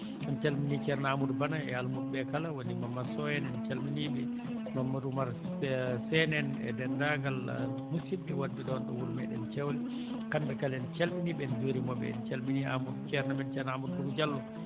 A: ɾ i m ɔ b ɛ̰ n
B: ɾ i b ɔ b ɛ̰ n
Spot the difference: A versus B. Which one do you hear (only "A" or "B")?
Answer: A